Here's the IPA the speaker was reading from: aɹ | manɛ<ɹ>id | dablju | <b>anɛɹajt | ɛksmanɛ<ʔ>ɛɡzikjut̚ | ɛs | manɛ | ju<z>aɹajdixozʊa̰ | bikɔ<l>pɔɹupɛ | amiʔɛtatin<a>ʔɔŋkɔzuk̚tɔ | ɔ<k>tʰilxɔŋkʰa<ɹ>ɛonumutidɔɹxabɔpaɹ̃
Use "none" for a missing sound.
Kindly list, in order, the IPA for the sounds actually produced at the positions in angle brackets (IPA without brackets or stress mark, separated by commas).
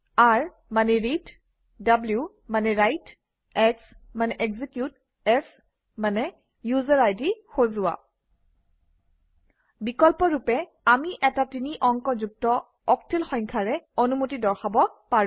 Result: ɹ, m, ʔ, z, l, i, k, ɹ